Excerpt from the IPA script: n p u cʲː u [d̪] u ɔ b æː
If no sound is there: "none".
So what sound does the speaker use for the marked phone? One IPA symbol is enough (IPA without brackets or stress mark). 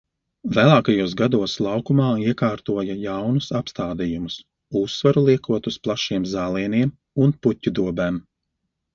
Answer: d̪